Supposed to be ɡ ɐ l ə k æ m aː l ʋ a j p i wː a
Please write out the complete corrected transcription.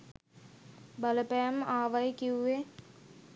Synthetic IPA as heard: b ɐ l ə p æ m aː ʋ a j k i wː e